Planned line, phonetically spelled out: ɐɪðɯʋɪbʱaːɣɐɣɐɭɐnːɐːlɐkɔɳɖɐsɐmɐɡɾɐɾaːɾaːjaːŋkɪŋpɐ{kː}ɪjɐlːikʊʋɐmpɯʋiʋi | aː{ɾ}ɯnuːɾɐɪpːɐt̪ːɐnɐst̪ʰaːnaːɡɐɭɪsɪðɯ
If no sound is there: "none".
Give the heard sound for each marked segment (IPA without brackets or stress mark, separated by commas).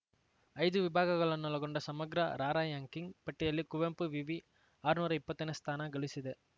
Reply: ʈː, ɾ